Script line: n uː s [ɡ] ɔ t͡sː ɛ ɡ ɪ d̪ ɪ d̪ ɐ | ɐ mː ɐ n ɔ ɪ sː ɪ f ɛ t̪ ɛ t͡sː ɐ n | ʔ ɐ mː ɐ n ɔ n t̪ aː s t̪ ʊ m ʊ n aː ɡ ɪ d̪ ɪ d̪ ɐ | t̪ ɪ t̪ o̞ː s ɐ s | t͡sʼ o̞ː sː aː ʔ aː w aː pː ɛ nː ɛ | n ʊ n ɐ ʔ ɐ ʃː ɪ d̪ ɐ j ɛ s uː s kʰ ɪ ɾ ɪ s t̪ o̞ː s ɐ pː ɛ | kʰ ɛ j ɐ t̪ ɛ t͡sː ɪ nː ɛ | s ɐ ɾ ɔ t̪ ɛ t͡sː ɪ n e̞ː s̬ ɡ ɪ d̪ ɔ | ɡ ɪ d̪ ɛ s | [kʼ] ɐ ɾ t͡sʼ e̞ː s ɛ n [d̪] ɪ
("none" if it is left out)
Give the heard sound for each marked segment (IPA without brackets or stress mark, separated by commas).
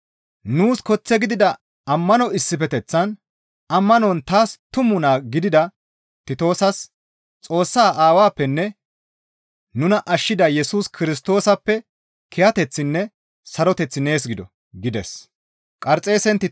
k, kʼ, t̪